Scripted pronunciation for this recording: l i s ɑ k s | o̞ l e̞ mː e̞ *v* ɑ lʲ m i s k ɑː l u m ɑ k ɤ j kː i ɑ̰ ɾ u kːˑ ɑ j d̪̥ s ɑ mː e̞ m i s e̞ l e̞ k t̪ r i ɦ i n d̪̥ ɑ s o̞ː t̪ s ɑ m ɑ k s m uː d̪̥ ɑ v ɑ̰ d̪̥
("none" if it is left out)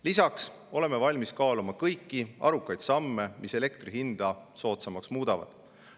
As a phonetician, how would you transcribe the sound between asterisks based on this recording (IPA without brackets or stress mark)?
v